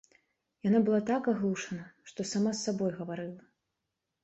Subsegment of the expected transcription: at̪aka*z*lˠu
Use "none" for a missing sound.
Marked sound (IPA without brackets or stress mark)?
ɣ